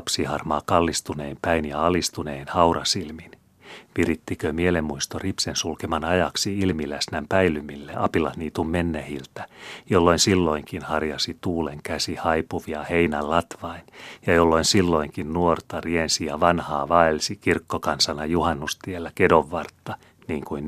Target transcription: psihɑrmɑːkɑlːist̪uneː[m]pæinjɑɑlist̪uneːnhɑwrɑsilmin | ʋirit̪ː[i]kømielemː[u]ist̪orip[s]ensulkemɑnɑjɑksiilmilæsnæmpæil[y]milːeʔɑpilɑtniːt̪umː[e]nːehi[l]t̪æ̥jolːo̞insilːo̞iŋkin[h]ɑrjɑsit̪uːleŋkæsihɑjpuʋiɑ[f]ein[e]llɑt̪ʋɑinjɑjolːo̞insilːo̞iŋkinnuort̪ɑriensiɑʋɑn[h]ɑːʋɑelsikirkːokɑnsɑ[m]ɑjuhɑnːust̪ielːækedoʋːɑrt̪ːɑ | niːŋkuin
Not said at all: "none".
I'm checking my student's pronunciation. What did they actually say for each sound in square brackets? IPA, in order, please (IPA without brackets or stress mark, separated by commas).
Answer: m, i, u, s, y, e, l, h, h, æ, h, n